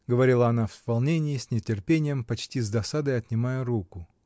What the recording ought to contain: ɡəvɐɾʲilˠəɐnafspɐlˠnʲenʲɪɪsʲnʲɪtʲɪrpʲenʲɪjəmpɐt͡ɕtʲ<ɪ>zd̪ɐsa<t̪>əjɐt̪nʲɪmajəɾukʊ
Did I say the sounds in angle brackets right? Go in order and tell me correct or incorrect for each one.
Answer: incorrect: i, incorrect: d̪

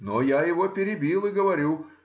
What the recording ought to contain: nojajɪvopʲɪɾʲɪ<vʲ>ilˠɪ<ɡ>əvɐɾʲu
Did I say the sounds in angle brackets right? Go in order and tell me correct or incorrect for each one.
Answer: incorrect: bʲ, correct

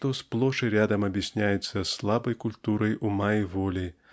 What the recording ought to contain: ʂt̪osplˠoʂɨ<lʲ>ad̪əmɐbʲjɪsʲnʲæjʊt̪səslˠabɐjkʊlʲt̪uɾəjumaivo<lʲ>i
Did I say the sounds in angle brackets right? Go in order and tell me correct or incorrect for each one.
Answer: incorrect: ɾʲ, correct

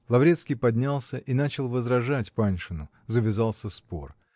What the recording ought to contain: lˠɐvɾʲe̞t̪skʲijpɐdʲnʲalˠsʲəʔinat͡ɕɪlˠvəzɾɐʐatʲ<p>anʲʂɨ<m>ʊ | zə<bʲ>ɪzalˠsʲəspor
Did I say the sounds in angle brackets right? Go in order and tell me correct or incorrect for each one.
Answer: correct, incorrect: n, incorrect: vʲ

